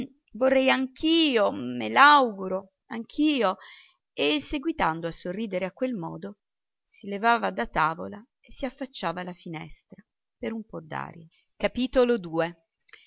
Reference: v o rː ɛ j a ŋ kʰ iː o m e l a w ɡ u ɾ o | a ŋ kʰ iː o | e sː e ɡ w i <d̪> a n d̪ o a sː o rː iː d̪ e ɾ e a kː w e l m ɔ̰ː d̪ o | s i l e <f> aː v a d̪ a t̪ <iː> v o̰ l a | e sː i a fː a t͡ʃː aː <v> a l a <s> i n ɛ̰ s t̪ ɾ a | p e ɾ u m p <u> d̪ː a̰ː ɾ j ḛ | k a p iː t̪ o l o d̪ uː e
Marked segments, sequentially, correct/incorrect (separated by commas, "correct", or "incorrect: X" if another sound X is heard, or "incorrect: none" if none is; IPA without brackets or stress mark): incorrect: t̪, incorrect: v, incorrect: aː, correct, incorrect: f, incorrect: ɔ